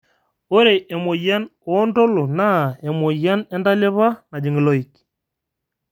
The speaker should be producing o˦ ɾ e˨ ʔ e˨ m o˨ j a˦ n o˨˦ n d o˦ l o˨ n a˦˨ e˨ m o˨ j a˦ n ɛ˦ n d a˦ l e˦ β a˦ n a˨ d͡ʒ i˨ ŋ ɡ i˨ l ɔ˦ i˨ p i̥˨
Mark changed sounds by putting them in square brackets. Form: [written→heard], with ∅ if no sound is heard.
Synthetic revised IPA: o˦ ɾ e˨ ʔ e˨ m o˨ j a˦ n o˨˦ n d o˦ l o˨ n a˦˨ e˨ m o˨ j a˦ n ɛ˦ n d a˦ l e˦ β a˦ n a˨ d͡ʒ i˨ ŋ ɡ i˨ l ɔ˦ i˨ [p→k] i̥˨

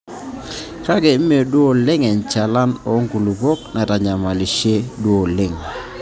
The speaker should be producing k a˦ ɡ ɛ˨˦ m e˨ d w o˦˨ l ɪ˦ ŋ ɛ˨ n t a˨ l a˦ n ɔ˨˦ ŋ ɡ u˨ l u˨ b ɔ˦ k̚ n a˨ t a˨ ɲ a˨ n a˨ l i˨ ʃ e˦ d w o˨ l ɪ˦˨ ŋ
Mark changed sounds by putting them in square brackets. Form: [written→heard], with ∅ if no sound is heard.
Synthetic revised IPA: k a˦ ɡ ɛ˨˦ m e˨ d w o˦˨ l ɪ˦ ŋ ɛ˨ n [t→t͡ʃ] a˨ l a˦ n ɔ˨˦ ŋ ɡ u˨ l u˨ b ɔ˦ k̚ n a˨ t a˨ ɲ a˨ [n→m] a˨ l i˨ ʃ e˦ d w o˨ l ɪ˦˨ ŋ

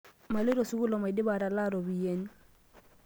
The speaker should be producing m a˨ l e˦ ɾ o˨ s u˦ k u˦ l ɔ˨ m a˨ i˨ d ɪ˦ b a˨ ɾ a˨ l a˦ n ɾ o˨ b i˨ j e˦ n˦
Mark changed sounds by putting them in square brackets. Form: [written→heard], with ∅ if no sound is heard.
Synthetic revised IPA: m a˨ l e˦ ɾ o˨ s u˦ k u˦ l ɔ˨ m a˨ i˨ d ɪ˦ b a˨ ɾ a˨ l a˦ [n→∅] ɾ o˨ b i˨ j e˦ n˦

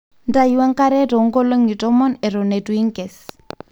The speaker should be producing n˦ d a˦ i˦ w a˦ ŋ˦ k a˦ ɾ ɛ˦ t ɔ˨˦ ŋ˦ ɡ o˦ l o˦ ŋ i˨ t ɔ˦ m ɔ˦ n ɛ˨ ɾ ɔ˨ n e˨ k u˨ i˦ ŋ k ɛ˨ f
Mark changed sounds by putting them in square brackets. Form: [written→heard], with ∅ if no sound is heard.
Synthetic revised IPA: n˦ d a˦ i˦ w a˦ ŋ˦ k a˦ ɾ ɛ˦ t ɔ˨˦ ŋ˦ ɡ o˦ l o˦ ŋ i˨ t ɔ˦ m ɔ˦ n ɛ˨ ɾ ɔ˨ n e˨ [k→t] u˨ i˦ ŋ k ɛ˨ [f→s]

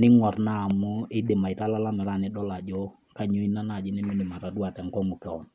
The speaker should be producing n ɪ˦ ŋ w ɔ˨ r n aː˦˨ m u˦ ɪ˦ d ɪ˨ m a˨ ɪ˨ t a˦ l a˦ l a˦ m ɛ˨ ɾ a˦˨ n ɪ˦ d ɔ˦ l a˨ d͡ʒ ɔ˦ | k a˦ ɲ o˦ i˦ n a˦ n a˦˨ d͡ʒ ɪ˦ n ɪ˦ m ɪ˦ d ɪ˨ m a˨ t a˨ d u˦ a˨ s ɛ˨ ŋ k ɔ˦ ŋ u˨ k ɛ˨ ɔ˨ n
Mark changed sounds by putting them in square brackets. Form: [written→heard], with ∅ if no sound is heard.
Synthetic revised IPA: n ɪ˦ ŋ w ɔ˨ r n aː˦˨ m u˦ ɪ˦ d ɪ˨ m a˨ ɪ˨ t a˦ l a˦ l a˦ m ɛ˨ ɾ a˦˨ n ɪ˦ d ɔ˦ l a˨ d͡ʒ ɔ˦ | k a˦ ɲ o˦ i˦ n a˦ n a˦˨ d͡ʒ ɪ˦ n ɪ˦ m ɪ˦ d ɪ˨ m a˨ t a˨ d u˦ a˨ [s→t] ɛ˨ ŋ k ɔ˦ ŋ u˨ k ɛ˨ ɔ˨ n

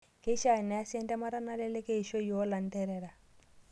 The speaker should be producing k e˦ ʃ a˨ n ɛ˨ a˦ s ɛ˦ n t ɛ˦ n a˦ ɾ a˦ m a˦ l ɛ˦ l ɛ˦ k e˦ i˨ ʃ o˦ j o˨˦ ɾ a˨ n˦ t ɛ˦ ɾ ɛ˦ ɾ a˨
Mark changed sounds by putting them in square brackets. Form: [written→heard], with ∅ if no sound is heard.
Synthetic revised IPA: k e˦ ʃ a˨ n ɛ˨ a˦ s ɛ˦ n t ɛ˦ [n→m] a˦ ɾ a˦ [m→n] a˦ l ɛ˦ l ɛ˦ k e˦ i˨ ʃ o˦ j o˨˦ [ɾ→l] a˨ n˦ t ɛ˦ ɾ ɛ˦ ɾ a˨

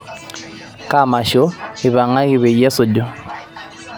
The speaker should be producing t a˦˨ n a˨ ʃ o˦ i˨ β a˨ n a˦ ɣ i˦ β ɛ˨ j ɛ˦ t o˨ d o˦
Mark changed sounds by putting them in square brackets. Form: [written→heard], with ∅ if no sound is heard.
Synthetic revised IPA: [t→k] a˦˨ [n→m] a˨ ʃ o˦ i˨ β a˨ [n→ŋ] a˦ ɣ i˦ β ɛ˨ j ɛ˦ [t→s] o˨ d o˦

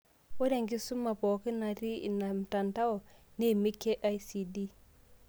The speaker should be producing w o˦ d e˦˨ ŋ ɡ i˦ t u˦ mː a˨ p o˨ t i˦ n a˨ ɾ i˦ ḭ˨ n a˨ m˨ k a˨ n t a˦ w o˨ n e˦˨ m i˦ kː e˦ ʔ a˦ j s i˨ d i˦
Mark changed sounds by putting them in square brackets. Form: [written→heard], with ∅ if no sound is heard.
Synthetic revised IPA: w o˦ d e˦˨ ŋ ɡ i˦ [t→s] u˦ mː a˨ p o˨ [t→k] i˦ n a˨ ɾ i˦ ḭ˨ n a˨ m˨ [k→t] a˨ n t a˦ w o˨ n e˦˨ m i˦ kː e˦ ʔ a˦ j s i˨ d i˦

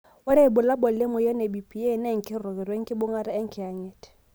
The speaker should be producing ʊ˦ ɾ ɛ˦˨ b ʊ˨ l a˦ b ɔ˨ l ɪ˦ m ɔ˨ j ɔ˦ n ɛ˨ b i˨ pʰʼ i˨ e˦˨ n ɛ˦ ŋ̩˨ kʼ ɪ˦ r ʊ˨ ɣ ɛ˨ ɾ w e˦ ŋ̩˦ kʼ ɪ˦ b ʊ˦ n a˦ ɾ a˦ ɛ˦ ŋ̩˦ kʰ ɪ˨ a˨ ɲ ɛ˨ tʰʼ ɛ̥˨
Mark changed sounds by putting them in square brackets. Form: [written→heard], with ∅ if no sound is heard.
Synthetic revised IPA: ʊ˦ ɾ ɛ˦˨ b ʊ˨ l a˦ b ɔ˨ l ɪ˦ m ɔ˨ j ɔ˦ n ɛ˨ b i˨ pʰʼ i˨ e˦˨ n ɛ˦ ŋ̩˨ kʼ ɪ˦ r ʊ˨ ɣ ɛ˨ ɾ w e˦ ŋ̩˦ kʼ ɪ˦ b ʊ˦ [n→ŋ] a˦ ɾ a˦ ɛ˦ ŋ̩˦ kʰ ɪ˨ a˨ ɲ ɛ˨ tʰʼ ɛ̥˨

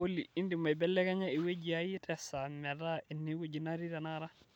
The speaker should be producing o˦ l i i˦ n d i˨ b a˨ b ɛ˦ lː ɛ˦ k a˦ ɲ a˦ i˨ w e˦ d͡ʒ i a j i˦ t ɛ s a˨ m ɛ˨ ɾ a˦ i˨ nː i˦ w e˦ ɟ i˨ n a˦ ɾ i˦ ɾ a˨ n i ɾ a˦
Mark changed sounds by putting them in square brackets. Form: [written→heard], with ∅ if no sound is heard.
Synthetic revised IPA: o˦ l i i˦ n d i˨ [b→m] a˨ b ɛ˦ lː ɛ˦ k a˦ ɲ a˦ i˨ w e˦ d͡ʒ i a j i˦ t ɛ s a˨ m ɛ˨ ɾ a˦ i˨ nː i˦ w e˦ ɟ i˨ n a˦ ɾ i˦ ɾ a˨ n [i→a] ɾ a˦

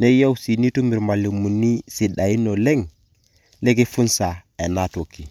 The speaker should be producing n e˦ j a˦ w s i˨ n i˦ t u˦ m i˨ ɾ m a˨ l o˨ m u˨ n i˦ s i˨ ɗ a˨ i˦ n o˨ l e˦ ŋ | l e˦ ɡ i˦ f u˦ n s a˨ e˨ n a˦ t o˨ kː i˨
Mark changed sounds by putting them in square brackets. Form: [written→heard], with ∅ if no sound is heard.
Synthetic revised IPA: n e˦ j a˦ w s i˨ n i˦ t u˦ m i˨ ɾ m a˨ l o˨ m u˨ n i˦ s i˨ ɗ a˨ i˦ n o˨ l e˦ ŋ | l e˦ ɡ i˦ f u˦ n s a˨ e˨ n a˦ t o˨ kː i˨

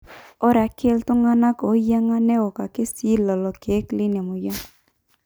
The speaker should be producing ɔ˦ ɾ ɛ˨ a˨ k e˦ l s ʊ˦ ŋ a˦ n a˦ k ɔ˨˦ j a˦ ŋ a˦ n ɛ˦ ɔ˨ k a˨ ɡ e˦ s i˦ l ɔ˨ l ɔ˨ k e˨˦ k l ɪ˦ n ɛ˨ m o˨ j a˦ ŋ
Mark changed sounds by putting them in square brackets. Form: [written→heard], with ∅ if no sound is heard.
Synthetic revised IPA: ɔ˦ ɾ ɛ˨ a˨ k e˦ l [s→t] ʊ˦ ŋ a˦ n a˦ k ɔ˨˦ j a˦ ŋ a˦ n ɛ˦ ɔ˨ k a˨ [ɡ→k] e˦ s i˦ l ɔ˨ l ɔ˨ k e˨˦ k l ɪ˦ n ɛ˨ m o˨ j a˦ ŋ

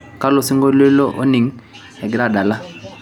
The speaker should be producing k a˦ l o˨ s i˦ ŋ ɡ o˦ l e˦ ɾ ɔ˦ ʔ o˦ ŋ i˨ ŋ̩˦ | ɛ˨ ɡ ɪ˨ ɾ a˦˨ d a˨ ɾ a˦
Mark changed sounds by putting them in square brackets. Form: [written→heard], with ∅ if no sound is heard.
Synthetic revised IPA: k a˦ l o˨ s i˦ ŋ ɡ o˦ l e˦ [ɾ→l] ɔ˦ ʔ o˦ [ŋ→n] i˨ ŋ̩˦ | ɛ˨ ɡ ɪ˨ ɾ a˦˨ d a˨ [ɾ→l] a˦

